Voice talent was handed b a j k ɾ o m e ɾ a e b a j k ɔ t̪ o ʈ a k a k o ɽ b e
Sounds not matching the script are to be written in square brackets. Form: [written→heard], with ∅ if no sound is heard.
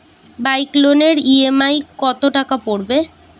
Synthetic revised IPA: b a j k [ɾ→l] o [m→n] e ɾ [a→i] e [b→m] a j k ɔ t̪ o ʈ a k a [k→p] o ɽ b e